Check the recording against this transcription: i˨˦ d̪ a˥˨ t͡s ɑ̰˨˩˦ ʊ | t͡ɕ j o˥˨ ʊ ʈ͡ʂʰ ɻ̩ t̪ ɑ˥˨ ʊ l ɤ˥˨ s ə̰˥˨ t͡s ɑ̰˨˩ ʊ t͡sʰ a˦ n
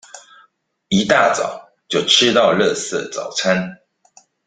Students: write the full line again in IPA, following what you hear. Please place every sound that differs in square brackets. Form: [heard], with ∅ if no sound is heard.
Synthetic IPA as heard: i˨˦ [t̪] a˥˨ t͡s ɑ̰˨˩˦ ʊ | t͡ɕ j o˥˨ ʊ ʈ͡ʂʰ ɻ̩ t̪ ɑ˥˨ ʊ l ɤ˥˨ s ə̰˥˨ t͡s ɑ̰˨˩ ʊ t͡sʰ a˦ n